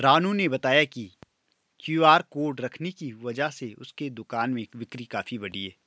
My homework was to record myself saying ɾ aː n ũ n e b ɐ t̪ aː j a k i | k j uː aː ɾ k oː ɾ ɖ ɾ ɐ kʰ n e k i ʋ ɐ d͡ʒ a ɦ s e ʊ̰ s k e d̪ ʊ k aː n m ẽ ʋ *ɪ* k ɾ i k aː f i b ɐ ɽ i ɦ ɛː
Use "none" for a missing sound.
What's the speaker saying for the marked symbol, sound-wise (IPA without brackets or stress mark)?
ɪ